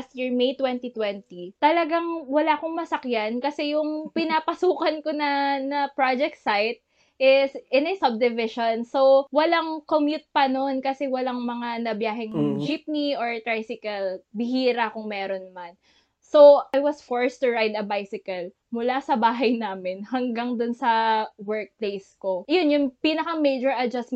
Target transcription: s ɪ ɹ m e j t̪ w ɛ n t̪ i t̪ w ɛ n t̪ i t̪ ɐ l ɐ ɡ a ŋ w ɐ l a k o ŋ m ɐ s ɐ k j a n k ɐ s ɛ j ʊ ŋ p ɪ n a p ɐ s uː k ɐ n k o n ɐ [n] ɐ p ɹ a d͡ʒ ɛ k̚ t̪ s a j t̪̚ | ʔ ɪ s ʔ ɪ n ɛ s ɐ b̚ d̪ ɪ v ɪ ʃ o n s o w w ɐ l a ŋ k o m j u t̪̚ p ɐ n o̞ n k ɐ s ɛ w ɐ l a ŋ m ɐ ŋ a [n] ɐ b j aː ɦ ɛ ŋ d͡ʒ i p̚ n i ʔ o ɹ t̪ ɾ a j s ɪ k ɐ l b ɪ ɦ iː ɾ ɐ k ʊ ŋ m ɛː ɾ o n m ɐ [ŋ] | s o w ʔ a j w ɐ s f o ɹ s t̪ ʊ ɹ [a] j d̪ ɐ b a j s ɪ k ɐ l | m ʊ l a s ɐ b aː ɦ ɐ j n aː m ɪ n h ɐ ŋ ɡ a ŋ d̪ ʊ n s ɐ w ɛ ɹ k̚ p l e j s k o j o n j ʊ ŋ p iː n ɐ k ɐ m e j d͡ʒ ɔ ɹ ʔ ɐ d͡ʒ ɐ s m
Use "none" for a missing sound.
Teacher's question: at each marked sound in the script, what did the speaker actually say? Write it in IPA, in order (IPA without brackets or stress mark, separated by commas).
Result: n, n, n, a